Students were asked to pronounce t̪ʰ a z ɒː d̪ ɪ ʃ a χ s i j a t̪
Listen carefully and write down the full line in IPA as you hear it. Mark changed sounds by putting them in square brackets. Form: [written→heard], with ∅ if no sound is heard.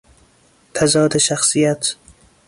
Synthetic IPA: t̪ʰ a z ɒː d̪ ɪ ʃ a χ s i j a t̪